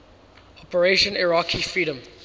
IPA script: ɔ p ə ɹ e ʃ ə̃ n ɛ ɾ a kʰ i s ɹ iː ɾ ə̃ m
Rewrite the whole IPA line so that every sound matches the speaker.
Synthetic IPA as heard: ɔ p ə ɹ e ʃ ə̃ n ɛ ɹ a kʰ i f ɹ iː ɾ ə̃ m